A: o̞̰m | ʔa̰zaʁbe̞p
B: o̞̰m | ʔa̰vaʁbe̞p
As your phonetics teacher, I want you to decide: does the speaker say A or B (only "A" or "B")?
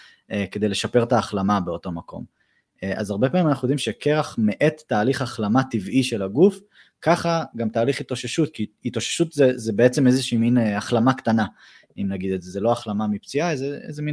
A